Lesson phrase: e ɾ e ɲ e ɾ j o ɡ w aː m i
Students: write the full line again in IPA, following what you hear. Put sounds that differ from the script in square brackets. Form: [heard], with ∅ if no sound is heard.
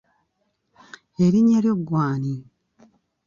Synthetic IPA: e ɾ [i] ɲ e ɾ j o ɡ w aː [n] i